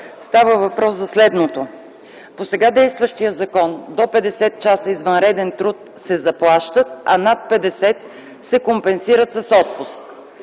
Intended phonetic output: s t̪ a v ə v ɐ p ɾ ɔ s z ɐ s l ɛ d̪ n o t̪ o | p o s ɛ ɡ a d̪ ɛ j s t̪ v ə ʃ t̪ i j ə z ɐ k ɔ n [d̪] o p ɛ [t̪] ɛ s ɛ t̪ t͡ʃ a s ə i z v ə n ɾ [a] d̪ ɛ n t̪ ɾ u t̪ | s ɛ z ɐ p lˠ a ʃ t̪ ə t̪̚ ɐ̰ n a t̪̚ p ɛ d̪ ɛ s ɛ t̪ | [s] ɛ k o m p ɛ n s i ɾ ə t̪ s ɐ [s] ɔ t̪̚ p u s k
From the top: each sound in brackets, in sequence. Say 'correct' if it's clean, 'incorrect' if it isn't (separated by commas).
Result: correct, incorrect, incorrect, correct, correct